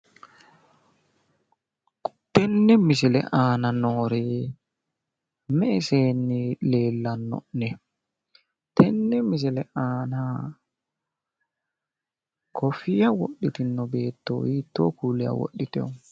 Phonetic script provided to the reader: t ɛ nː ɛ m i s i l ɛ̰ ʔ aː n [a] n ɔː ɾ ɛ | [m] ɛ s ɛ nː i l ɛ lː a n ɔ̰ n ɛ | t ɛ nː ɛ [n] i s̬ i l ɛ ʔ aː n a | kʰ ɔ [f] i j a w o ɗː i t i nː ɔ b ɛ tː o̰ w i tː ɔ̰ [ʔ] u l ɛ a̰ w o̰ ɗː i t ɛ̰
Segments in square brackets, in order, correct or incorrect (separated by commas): correct, correct, incorrect, correct, incorrect